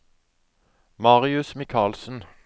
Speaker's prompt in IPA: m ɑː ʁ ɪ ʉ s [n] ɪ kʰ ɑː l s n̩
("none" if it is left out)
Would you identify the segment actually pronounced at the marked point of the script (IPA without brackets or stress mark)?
m